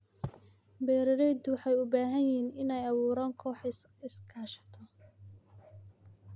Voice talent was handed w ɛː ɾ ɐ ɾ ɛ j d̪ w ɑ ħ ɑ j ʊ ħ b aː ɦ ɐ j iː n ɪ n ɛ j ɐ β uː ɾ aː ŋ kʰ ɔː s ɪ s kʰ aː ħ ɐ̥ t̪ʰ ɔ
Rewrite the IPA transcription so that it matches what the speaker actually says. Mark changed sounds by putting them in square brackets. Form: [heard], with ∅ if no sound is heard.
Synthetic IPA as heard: [b] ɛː ɾ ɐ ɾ ɛ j d̪ w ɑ ħ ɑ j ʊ [∅] b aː ɦ ɐ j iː n ɪ n ɛ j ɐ β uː ɾ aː ŋ kʰ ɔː [ħ] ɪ s kʰ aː [ʃ] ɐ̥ t̪ʰ ɔ